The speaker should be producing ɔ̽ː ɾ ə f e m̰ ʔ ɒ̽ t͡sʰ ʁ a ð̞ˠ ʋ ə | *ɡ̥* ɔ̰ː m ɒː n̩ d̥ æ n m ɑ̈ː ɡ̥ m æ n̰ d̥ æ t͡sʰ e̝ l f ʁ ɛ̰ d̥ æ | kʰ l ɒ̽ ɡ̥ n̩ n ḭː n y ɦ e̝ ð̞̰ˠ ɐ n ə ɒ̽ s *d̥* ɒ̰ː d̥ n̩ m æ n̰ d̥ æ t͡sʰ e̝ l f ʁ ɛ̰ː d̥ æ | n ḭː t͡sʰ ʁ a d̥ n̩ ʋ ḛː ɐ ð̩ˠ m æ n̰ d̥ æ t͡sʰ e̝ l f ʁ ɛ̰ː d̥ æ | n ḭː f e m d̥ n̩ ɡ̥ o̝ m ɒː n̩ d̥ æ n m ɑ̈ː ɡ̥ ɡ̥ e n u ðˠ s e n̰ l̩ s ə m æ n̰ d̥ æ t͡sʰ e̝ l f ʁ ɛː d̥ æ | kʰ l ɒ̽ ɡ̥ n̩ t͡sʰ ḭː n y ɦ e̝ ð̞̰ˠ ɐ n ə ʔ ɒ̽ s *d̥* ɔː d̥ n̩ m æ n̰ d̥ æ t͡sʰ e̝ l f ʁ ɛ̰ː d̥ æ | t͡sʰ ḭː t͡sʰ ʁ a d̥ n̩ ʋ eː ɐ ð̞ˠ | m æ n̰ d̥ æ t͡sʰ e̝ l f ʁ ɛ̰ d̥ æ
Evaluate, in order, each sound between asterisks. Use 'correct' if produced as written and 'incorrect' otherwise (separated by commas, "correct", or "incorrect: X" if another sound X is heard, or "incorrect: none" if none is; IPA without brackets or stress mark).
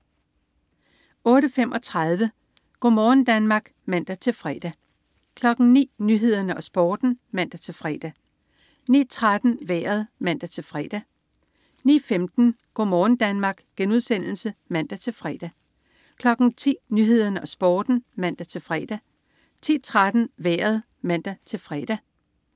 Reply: correct, incorrect: b̥, incorrect: b̥